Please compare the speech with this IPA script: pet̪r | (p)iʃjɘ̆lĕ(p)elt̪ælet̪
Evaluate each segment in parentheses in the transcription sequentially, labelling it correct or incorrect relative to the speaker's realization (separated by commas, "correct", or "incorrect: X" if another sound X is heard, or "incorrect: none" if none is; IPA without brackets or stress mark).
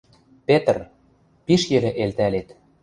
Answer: correct, incorrect: ʔ